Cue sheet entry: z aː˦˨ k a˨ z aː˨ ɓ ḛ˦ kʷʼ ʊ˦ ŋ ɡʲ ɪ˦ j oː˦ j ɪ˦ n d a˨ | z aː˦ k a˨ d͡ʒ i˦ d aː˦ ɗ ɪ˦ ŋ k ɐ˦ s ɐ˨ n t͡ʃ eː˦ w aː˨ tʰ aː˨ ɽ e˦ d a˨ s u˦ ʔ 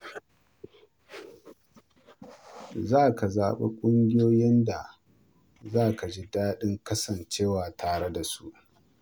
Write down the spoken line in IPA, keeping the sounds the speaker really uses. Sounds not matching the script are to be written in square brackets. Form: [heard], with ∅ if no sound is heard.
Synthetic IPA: z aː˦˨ k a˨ z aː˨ ɓ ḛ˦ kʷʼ ʊ˦ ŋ ɡʲ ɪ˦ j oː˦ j ɪ˦ n d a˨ | z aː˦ k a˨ d͡ʒ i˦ d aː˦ ɗ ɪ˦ ŋ k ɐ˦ s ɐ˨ n t͡ʃ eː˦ w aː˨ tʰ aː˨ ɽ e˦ d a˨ s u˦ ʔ

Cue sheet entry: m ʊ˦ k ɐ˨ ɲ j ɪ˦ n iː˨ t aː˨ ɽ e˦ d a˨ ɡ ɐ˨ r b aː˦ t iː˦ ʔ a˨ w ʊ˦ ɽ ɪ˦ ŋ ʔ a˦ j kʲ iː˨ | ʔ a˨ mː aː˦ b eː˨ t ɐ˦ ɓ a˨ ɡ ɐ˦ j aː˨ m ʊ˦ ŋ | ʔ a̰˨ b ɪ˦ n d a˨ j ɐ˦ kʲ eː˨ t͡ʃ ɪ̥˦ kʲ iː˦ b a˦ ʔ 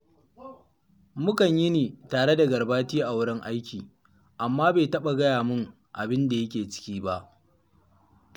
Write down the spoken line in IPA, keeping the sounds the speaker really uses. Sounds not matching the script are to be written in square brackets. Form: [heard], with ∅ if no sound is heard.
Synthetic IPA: m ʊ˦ k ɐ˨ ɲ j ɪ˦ n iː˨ t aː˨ ɽ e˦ d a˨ ɡ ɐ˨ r b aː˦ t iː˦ ʔ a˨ w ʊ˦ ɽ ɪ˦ ŋ ʔ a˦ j kʲ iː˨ | ʔ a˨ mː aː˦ b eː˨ t ɐ˦ ɓ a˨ ɡ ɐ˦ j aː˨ m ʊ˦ ŋ | ʔ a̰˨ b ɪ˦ n d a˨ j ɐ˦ kʲ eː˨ t͡ʃ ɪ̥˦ kʲ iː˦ b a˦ ʔ

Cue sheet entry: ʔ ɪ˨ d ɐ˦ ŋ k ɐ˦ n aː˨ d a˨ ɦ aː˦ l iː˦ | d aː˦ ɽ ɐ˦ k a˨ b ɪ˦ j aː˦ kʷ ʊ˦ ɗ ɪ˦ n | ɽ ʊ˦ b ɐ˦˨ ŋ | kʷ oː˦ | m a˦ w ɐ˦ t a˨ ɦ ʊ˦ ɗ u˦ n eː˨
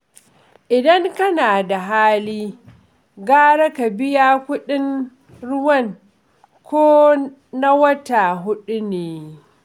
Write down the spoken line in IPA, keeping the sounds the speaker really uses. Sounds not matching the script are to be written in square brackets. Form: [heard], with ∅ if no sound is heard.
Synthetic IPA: ʔ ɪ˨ d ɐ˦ ŋ k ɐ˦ n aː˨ d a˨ ɦ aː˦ l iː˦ | [ɡ] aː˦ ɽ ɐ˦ k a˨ b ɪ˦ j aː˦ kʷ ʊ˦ ɗ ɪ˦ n | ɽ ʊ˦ [w] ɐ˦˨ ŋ | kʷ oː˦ | [n] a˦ w ɐ˦ t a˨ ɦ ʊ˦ ɗ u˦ n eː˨

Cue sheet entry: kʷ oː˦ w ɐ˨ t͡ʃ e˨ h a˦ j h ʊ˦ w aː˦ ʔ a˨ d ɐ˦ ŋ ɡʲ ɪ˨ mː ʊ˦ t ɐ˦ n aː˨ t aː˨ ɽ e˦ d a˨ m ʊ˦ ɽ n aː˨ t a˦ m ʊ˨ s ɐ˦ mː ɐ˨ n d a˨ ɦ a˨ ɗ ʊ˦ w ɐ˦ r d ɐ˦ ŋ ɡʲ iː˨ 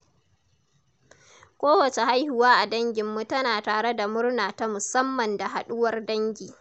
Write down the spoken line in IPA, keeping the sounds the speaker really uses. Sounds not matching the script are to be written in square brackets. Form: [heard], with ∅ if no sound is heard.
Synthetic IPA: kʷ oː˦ w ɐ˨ t͡ʃ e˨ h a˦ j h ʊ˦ w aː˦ ʔ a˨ d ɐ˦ ŋ ɡʲ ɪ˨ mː [u˦] t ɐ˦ n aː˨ t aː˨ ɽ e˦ d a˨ m ʊ˦ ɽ n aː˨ t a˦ m ʊ˨ s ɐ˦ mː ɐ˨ n d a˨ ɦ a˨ ɗ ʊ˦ w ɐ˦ r d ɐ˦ ŋ ɡʲ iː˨

